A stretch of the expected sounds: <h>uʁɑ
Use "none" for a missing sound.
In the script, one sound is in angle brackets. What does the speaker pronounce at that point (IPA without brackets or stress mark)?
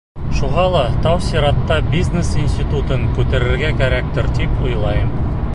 ʃ